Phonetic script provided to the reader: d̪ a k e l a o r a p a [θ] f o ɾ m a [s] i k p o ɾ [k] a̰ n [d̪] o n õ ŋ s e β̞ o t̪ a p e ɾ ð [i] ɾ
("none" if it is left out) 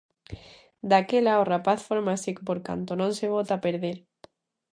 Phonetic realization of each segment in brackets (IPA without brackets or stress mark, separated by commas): θ, s, k, t̪, e